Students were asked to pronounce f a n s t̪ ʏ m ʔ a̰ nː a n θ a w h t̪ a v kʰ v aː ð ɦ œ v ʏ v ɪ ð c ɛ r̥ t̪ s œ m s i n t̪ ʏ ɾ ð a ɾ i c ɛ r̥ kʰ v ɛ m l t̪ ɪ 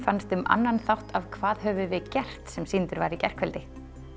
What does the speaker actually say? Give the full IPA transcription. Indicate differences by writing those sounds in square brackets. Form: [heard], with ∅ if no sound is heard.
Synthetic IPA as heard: f a n s t̪ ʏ m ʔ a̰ nː a n θ a w h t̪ a v kʰ v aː ð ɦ œ v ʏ v ɪ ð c ɛ r̥ t̪ s [ɛ] m s i n t̪ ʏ ɾ [v] a ɾ i c ɛ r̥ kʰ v ɛ [∅] l t̪ ɪ